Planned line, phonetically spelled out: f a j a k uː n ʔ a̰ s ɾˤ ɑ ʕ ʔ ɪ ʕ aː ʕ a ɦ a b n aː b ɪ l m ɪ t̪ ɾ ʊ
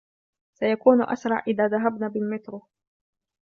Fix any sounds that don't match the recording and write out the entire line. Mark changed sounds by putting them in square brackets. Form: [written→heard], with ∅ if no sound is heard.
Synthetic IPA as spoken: [f→s] a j a k uː n ʔ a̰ s ɾˤ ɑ ʕ ʔ ɪ [ʕ→ð] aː [ʕ→ð] a ɦ a b n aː b ɪ l m ɪ t̪ ɾ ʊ